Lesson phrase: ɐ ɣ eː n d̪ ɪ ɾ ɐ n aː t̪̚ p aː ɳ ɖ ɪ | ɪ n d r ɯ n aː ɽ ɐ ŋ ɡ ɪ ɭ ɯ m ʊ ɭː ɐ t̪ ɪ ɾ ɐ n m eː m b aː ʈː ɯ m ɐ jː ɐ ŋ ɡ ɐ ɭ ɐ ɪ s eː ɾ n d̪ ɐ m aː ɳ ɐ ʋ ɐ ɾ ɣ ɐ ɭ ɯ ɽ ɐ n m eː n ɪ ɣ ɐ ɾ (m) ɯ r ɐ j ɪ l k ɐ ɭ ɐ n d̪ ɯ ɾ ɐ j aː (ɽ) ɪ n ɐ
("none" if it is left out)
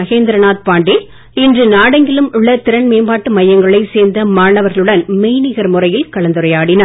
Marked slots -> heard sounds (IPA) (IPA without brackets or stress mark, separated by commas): m, ɽ